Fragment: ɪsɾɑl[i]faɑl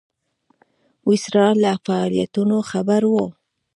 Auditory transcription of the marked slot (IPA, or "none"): a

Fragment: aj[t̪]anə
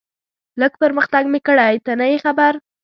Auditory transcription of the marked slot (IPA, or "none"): t̪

